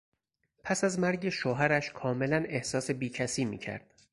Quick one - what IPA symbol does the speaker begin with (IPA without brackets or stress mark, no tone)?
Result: pʰ